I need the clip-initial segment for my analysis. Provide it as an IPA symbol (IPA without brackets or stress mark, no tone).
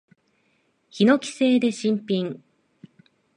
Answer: ç